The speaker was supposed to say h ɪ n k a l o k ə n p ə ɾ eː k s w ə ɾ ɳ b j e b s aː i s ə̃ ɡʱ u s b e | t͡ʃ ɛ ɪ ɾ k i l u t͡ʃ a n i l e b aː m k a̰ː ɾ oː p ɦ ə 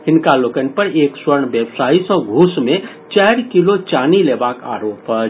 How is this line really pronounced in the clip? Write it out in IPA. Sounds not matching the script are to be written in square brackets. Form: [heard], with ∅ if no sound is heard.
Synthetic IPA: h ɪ n k a l o k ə n p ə ɾ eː k s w ə ɾ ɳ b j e b s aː i s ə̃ ɡʱ u s [m] e | t͡ʃ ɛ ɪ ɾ k i l [o] t͡ʃ a n i l e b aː [∅] k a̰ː ɾ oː p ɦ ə